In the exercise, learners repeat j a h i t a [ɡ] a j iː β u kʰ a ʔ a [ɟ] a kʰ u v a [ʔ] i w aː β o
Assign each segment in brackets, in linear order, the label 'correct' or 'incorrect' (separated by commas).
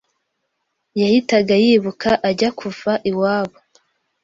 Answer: correct, correct, correct